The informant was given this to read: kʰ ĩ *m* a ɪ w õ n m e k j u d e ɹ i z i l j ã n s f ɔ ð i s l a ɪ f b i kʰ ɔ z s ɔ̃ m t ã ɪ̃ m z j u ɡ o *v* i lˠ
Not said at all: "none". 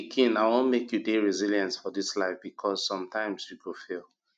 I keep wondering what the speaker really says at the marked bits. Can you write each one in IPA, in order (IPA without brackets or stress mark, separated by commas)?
n, f